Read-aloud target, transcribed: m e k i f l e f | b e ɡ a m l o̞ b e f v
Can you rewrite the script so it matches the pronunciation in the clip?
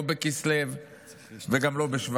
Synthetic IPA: b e k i s l e v | v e ɡ a m l o̞ b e ʃ v